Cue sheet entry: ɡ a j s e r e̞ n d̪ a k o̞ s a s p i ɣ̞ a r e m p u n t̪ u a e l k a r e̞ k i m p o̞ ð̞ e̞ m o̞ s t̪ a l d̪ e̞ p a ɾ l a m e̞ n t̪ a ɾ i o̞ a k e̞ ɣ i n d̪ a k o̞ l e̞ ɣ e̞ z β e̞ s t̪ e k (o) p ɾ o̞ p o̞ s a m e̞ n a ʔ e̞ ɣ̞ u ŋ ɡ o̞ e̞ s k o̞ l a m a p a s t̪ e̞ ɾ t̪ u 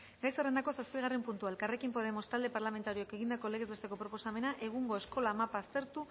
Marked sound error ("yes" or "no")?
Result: no